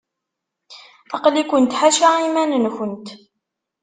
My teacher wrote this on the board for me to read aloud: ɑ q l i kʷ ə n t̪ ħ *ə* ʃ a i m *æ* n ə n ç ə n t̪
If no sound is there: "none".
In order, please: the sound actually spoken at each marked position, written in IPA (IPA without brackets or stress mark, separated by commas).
a, æ